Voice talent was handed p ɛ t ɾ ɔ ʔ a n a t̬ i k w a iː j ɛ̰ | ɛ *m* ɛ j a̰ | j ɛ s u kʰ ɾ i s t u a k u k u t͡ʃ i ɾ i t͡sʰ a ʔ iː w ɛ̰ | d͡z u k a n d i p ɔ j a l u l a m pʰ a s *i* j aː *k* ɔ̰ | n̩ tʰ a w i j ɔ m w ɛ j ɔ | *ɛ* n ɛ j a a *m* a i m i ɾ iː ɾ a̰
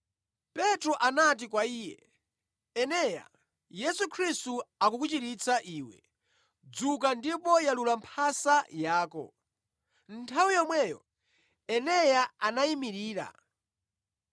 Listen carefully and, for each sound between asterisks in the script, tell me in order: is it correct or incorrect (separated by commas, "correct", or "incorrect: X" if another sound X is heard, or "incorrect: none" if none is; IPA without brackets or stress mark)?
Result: incorrect: n, incorrect: a, correct, correct, incorrect: n